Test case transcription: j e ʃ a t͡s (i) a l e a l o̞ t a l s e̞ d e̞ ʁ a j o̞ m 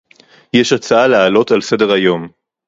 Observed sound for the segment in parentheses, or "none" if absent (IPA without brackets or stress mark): a